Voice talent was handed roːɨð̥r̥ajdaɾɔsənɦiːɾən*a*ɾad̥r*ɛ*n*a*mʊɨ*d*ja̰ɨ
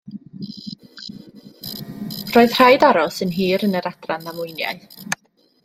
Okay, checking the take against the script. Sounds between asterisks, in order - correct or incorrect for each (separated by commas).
incorrect, incorrect, correct, incorrect